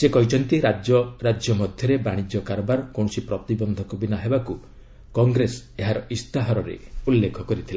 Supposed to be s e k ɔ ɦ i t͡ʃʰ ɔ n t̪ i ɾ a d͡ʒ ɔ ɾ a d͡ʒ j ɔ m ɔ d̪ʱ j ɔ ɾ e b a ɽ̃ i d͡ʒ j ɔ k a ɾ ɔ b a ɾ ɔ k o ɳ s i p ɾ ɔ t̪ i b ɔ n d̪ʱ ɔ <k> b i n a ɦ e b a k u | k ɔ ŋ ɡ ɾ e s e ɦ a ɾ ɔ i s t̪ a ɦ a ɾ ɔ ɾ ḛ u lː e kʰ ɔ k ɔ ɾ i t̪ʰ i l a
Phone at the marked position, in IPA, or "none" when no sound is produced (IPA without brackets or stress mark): k